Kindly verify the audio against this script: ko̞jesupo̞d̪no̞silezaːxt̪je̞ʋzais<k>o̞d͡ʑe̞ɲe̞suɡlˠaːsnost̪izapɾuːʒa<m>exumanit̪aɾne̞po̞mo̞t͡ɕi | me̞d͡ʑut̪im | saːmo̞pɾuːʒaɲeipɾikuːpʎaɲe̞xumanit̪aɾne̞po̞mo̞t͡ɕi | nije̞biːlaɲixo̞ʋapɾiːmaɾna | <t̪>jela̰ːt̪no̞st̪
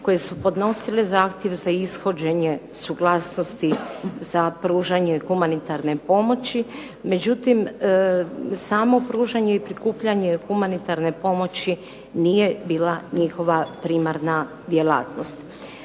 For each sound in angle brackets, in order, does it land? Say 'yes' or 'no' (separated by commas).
no, no, no